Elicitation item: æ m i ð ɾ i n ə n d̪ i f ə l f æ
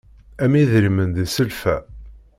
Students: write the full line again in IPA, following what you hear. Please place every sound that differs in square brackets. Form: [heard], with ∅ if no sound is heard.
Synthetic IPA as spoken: æ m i ð ɾ i [m] ə n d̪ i [s] ə l f æ